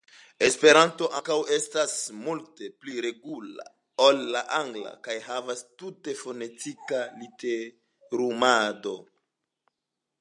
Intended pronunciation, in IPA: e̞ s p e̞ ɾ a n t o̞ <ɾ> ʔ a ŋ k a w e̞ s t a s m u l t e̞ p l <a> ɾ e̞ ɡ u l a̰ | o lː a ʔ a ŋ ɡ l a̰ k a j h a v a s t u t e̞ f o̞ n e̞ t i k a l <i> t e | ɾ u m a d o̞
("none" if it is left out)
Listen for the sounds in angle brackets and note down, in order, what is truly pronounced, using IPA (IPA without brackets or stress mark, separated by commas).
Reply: none, i, i